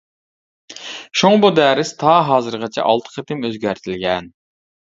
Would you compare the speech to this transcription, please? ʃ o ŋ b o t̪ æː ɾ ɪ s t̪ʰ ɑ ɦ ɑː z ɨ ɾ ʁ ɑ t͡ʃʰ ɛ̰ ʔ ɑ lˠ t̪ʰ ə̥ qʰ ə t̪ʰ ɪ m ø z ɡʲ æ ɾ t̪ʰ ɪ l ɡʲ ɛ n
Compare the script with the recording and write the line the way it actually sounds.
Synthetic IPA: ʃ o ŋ b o d̪ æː ɾ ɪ s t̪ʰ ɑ ɦ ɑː z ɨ ɾ ʁ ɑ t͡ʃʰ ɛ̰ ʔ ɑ lˠ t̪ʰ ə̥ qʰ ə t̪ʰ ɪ m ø z ɡʲ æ ɾ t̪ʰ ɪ l ɡʲ ɛ n